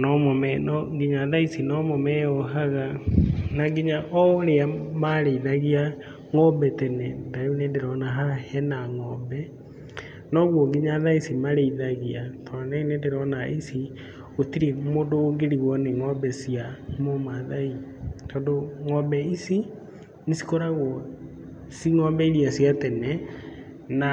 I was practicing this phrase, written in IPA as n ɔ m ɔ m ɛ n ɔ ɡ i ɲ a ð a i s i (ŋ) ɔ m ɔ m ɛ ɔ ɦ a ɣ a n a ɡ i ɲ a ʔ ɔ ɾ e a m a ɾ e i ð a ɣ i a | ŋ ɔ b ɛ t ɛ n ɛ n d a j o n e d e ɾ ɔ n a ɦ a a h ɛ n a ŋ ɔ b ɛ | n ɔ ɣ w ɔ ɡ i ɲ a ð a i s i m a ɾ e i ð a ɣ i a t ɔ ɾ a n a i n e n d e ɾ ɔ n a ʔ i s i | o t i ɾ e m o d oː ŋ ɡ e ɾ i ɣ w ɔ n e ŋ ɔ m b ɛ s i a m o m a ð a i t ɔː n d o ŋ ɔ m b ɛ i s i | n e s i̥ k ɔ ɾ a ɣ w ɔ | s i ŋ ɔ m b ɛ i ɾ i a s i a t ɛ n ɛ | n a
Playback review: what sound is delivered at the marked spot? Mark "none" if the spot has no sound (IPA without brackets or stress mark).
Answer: n